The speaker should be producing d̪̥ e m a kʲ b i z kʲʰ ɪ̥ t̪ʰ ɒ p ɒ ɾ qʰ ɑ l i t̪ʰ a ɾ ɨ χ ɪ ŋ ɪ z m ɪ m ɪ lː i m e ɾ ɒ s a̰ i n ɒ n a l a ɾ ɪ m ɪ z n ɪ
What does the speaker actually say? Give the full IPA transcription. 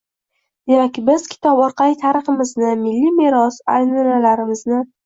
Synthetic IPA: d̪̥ e m a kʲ b ɪ z kʲʰ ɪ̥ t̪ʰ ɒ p ɒ ɾ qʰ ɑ l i t̪ʰ a ɾ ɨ χ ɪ m ɪ z n ɪ m ɪ lː i m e ɾ ɒ s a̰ j n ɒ n a l a ɾ ɪ m ɪ z n ɪ